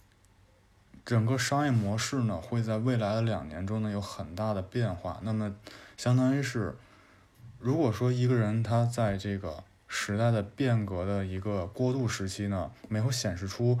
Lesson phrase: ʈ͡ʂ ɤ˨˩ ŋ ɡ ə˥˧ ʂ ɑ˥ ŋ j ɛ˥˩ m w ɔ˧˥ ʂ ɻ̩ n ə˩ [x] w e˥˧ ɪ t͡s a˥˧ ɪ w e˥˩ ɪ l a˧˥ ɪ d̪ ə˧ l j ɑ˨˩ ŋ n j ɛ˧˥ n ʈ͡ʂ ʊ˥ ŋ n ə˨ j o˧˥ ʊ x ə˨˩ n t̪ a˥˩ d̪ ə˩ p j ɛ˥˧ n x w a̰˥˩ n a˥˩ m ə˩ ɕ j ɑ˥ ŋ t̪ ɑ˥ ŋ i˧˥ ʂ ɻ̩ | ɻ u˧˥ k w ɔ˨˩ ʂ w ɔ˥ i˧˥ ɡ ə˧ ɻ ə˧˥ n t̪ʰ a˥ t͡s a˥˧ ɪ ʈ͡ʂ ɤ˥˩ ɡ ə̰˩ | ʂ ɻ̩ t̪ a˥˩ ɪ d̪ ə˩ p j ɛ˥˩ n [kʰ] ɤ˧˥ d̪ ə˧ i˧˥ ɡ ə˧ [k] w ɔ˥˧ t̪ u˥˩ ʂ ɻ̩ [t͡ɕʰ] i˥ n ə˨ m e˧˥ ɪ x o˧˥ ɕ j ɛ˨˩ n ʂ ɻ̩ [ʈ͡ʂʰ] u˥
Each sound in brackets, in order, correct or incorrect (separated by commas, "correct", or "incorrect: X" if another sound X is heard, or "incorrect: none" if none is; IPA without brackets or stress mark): correct, incorrect: k, correct, correct, correct